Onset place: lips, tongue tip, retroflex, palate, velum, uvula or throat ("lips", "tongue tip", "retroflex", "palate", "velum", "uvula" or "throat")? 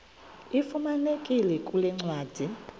lips